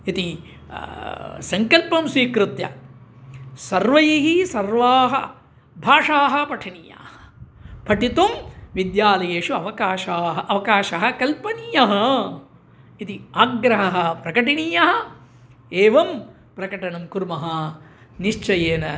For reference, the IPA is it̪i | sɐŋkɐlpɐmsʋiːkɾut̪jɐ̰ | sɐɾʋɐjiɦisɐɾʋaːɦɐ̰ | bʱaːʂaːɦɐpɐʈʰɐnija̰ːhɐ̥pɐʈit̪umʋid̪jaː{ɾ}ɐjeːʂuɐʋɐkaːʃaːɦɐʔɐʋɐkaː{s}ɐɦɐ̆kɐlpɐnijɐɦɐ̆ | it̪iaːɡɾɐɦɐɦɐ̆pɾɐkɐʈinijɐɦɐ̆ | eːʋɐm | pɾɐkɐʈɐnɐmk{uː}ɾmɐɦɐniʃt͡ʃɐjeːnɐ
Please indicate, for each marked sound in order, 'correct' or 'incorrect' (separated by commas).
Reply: incorrect, incorrect, incorrect